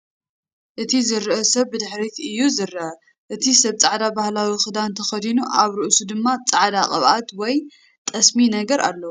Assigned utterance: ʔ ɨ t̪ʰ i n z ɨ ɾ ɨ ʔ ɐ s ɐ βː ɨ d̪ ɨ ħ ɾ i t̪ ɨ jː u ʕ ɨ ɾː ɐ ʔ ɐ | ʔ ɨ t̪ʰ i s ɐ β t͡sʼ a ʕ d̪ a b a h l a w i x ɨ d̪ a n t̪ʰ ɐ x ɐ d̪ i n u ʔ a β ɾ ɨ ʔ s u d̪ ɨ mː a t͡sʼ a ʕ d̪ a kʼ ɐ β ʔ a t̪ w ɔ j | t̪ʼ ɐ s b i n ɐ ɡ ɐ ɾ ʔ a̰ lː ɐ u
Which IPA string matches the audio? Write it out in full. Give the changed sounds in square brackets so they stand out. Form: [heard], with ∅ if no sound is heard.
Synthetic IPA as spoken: ʔ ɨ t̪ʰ i [∅] z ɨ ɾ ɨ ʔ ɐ s ɐ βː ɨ d̪ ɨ ħ ɾ i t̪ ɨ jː u [z] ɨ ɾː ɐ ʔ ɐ | ʔ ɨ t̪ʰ i s ɐ β t͡sʼ a ʕ d̪ a b a h l a w i x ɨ d̪ a n t̪ʰ ɐ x ɐ d̪ i n u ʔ a β ɾ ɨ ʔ s u d̪ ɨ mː a t͡sʼ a ʕ d̪ a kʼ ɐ β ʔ a t̪ w ɔ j | t̪ʼ ɐ s [m] i n ɐ ɡ ɐ ɾ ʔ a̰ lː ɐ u